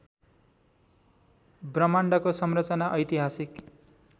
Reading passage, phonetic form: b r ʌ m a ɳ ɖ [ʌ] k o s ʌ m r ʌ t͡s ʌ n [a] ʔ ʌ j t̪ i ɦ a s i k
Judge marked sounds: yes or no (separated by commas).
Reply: yes, yes